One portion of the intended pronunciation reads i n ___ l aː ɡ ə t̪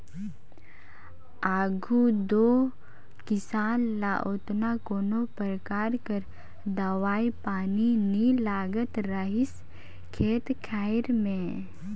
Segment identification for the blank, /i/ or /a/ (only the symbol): i